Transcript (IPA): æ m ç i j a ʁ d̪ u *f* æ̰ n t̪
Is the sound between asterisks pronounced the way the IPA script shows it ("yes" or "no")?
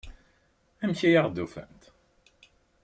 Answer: yes